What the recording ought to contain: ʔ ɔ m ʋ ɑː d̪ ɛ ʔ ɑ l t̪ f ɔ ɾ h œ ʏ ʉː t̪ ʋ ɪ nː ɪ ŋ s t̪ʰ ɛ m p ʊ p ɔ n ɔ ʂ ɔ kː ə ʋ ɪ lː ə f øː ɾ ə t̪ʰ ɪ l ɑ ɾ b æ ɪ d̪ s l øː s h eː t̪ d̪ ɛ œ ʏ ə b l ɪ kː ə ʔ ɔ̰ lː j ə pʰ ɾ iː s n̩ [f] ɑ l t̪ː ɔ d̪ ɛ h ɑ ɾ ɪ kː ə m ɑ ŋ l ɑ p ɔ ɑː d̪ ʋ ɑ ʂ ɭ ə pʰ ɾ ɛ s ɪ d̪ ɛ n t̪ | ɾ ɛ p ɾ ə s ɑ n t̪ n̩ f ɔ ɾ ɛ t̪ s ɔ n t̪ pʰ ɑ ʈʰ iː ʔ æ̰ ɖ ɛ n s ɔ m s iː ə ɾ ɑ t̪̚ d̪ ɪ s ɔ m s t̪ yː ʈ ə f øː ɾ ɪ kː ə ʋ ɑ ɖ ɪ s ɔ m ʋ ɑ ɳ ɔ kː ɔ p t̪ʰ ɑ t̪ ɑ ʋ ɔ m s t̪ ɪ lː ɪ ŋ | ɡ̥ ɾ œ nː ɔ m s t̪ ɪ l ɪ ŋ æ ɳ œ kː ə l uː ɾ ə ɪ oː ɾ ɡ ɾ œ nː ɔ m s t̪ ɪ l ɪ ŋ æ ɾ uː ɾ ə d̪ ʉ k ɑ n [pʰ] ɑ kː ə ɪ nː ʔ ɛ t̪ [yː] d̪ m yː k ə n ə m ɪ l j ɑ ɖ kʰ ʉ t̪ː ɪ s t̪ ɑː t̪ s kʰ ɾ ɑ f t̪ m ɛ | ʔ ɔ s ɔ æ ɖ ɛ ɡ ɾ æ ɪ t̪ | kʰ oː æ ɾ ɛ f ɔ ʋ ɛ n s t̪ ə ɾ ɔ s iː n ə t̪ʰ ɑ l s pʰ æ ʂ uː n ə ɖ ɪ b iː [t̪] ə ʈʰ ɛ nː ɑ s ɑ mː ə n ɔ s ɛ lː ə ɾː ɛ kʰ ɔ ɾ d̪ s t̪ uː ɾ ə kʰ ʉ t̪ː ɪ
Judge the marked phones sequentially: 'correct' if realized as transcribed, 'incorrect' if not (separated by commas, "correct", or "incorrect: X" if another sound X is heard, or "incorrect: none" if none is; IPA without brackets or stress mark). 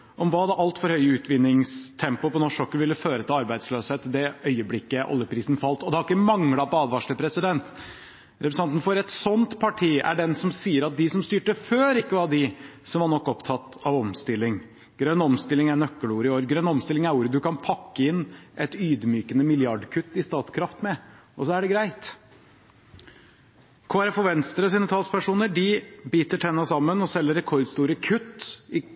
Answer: correct, correct, correct, correct